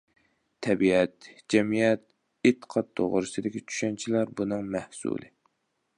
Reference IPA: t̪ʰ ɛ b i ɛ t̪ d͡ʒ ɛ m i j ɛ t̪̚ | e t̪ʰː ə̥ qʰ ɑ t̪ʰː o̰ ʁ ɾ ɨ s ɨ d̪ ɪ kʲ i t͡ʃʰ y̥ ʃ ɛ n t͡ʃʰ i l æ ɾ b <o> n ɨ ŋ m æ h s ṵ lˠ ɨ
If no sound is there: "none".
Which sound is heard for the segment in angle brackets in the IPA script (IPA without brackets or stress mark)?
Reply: u